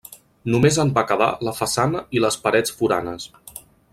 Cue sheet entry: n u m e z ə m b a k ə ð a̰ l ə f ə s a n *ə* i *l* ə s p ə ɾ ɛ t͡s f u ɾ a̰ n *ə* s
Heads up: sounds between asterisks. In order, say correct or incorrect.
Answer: correct, correct, correct

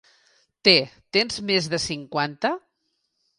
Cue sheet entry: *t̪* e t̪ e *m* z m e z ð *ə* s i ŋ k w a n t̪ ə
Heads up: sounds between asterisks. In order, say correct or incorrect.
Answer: correct, incorrect: n, correct

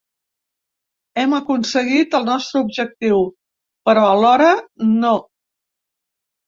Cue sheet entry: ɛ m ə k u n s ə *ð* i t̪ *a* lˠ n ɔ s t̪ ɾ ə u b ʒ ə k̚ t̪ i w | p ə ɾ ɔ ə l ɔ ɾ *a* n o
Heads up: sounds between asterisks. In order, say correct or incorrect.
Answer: incorrect: ɣ, incorrect: ə, incorrect: ə

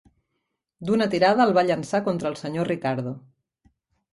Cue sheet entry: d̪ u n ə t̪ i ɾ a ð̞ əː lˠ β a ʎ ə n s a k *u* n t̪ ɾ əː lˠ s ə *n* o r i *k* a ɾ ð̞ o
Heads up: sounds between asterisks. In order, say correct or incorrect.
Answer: incorrect: o, incorrect: ɲ, correct

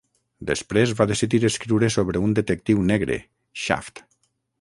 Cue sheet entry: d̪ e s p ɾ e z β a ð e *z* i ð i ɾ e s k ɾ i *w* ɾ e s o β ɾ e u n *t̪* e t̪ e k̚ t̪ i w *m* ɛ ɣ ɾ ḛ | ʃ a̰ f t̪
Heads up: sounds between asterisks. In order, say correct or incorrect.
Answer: incorrect: s, correct, incorrect: d̪, incorrect: n

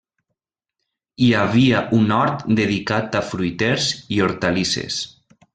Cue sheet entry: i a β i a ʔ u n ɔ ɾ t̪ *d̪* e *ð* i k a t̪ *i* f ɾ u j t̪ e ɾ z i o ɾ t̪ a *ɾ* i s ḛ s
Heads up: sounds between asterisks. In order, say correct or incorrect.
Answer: correct, correct, incorrect: a, incorrect: l

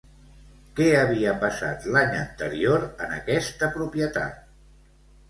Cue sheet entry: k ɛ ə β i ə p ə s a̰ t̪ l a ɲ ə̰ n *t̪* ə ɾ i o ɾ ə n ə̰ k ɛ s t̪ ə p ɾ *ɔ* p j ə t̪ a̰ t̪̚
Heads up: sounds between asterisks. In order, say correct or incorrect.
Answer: correct, incorrect: u

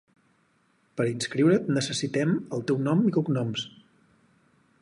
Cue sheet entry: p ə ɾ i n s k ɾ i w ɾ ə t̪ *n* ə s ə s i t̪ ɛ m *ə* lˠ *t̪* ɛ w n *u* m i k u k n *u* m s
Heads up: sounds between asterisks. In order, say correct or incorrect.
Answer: correct, correct, correct, incorrect: ɔ, incorrect: ɔ

